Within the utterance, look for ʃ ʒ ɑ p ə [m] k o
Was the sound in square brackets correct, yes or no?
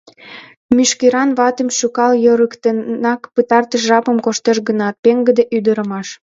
yes